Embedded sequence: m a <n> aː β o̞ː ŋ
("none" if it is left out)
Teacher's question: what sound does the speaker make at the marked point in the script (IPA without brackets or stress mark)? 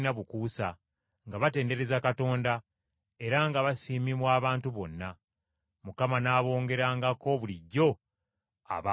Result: n